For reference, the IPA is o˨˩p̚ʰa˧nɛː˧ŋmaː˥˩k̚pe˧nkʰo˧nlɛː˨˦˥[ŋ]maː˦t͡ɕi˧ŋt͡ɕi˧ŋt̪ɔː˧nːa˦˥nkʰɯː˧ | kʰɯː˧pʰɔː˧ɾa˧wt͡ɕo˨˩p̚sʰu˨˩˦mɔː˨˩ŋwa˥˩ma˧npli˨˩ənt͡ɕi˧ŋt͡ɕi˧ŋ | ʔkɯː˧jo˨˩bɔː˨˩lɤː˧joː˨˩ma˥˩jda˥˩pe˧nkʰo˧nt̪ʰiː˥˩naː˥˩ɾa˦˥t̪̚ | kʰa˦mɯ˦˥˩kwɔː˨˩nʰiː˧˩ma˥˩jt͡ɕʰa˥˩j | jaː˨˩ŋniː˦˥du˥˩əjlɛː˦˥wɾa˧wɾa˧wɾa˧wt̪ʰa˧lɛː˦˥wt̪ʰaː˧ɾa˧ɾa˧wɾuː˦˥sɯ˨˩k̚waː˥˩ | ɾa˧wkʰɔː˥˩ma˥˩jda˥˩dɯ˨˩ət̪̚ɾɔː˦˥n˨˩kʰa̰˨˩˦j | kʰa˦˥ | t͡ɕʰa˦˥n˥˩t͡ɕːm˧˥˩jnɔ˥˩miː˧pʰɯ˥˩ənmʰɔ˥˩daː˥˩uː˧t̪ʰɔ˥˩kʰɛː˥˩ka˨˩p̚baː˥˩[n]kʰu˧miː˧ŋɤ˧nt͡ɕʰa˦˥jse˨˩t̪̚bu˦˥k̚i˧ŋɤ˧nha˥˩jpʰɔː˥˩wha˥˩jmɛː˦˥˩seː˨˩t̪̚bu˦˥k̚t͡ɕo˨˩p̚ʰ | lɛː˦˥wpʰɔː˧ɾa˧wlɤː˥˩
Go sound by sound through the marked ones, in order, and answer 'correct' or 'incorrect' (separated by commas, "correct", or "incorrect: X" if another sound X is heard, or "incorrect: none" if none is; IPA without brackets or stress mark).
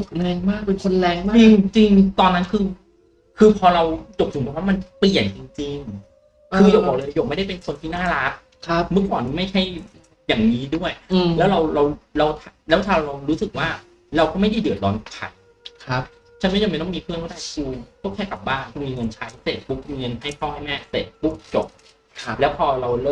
correct, incorrect: ŋ